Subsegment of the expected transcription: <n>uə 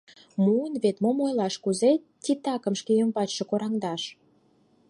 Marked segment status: incorrect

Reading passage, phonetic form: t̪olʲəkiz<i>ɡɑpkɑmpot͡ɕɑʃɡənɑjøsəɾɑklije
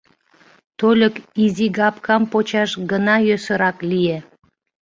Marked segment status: correct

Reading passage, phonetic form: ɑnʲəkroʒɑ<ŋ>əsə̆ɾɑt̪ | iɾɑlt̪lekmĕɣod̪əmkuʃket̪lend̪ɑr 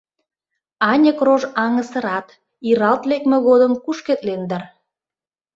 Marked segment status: correct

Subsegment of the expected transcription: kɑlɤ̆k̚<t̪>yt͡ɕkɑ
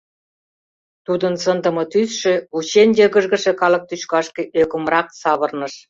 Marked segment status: correct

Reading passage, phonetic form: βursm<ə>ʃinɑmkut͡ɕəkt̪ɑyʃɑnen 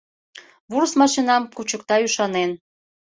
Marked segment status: incorrect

